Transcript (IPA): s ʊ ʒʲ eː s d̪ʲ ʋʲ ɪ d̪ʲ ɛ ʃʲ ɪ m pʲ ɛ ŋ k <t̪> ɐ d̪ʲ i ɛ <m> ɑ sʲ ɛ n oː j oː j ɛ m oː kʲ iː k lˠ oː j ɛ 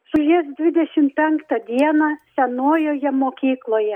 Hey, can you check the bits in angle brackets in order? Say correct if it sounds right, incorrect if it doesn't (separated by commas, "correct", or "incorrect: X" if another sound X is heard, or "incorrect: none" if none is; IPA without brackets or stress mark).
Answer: correct, incorrect: n